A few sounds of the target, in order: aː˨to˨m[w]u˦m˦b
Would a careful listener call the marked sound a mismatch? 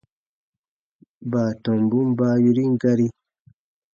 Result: yes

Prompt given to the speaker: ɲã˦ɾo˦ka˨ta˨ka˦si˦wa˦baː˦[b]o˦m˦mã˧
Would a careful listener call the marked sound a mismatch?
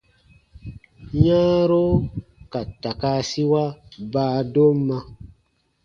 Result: yes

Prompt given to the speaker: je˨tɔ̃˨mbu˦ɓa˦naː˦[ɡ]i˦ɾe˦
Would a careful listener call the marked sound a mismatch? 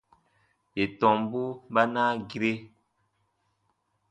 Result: no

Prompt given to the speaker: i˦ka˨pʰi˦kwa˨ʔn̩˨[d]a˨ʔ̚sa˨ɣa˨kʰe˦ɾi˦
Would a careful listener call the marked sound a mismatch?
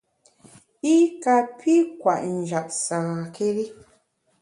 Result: yes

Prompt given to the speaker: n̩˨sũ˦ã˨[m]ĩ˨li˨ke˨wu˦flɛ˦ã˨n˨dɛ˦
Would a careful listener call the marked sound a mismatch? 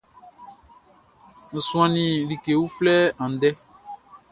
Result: yes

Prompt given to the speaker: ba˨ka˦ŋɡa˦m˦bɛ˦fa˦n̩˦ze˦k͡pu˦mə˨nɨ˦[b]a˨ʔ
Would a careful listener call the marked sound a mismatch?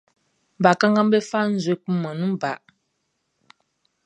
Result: no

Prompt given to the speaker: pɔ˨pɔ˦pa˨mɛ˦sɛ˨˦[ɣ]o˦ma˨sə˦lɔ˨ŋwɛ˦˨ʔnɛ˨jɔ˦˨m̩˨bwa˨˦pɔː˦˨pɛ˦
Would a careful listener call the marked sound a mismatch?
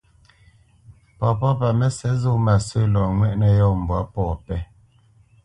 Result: yes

